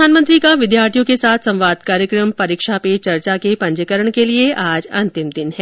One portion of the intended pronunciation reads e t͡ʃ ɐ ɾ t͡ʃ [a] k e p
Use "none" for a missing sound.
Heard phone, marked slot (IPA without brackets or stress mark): a